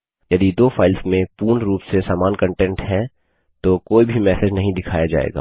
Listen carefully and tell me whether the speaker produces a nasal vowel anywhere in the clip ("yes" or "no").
yes